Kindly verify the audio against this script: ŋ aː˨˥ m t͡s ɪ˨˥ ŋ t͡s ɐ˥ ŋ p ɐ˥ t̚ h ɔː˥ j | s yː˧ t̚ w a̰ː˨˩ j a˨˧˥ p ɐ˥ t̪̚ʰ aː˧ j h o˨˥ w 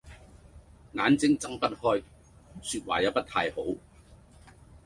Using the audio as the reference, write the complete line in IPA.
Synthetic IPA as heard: ŋ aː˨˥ n t͡s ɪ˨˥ ŋ t͡s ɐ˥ ŋ p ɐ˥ t̚ h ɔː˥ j | s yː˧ t̚ w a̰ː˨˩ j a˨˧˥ p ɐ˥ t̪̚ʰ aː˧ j h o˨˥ w